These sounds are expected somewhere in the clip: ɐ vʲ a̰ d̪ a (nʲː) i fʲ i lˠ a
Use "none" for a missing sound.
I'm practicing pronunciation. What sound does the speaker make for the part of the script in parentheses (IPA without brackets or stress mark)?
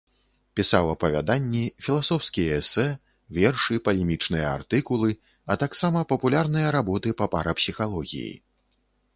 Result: nʲː